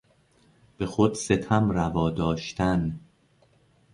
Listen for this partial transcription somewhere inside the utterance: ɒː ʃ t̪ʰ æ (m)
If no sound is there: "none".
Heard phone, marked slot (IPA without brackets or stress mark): n